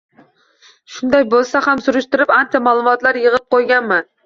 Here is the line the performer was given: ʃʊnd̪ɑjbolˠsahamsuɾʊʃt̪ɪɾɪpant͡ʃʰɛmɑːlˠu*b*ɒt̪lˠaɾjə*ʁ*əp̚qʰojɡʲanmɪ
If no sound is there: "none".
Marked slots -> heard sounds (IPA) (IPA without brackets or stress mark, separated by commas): m, ʁ